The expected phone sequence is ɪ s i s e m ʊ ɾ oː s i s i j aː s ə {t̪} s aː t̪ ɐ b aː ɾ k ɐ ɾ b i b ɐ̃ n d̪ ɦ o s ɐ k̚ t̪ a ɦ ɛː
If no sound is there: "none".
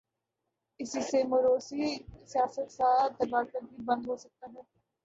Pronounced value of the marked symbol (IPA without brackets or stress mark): t̪